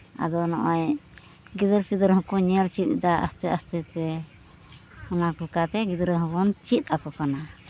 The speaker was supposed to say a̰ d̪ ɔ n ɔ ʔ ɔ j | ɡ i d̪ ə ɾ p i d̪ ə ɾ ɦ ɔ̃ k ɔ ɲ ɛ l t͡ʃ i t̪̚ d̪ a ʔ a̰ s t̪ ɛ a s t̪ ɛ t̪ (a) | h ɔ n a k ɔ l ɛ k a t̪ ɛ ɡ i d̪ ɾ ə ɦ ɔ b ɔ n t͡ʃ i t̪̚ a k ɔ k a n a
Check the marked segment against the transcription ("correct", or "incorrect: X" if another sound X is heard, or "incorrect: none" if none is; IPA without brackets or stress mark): incorrect: ɛ